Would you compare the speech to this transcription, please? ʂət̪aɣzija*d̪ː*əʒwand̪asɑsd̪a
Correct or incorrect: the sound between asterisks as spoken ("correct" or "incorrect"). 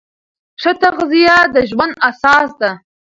incorrect